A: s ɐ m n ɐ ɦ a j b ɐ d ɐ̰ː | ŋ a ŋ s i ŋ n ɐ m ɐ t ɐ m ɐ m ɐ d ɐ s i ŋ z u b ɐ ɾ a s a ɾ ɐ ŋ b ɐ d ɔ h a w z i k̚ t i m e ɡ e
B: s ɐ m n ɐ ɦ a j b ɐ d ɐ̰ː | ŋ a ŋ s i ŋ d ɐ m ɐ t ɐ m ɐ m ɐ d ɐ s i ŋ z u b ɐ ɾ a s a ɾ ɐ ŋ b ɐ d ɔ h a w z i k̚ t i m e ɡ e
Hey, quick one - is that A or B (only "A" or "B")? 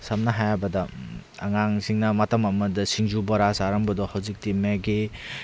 A